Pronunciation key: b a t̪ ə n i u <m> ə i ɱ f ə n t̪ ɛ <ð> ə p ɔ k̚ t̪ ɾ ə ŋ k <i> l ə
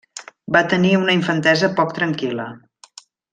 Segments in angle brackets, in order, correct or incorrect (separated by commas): incorrect, incorrect, correct